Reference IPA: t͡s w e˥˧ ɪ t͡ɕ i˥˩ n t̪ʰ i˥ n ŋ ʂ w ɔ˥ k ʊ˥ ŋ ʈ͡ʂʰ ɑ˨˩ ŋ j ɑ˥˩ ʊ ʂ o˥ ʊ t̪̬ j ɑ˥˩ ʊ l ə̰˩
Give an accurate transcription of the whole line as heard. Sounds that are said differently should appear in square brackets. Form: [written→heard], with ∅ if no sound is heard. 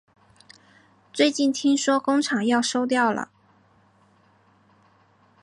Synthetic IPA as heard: t͡s w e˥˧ ɪ t͡ɕ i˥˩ n t̪ʰ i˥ [n→∅] ŋ ʂ w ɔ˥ k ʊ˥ ŋ ʈ͡ʂʰ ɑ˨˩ ŋ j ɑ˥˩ ʊ ʂ o˥ ʊ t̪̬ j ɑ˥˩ ʊ l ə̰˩